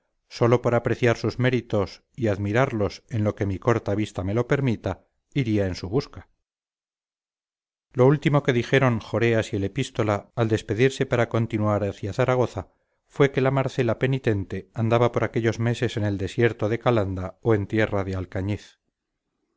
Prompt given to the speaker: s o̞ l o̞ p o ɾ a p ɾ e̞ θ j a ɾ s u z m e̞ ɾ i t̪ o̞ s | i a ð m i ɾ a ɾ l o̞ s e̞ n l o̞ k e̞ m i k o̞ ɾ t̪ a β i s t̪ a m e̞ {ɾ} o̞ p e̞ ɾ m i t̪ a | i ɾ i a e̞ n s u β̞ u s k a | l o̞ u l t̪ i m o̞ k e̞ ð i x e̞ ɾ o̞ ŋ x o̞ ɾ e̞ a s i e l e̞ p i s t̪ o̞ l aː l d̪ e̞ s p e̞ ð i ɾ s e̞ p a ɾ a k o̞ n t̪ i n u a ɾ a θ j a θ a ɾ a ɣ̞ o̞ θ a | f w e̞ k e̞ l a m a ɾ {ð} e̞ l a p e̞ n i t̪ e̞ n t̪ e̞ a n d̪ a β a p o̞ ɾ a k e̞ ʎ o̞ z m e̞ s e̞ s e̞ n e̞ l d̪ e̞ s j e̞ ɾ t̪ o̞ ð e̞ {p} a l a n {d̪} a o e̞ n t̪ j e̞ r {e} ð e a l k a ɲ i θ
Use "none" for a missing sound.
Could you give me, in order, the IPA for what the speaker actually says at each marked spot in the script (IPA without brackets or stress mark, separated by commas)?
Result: l, θ, k, d̪, a